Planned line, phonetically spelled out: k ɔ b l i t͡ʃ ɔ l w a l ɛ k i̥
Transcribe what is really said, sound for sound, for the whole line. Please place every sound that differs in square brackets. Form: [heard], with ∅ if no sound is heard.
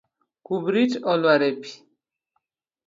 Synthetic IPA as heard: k [u] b [ɾ] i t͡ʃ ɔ l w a [ɾ] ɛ [p] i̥